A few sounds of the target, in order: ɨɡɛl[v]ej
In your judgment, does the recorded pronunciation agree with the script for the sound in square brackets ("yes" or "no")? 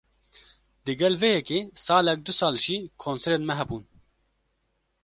yes